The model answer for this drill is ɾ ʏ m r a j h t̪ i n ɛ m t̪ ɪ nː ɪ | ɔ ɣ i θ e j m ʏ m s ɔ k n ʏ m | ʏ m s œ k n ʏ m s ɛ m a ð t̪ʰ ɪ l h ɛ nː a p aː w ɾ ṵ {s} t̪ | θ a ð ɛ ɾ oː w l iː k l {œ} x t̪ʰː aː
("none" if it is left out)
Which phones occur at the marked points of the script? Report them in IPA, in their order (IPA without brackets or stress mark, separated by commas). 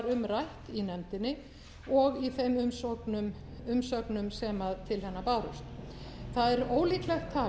s, ɛ